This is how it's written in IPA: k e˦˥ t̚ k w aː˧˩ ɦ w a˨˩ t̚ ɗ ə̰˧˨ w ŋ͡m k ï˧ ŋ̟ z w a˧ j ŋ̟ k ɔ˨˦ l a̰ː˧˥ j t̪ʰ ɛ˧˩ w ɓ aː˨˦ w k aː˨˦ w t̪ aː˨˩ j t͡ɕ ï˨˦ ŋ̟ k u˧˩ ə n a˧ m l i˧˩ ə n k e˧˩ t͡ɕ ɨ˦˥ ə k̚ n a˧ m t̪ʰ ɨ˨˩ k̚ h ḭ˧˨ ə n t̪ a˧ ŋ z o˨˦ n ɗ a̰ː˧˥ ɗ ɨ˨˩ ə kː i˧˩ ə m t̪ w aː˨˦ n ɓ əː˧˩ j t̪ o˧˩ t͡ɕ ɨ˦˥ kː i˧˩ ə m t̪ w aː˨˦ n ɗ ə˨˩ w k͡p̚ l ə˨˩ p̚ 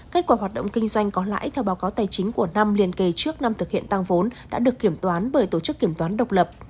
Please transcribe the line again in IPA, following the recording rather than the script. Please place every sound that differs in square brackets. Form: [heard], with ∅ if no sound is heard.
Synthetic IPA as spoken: k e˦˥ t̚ k w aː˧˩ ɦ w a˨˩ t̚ ɗ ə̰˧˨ w ŋ͡m k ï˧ ŋ̟ z w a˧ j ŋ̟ k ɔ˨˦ l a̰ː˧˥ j t̪ʰ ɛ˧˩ w ɓ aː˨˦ w k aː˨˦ w t̪ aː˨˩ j t͡ɕ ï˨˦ ŋ̟ k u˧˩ ə n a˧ m l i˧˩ ə n k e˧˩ t͡ɕ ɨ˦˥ ə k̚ n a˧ m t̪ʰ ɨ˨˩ k̚ h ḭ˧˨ ə n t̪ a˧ ŋ [v] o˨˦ n ɗ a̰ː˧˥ ɗ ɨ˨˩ ə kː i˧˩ ə m t̪ w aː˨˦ n ɓ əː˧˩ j t̪ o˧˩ t͡ɕ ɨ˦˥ kː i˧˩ ə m t̪ w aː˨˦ n ɗ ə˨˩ w k͡p̚ l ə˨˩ p̚